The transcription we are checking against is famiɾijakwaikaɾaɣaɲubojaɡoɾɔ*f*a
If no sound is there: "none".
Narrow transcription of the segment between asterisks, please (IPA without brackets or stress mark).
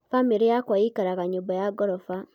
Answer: f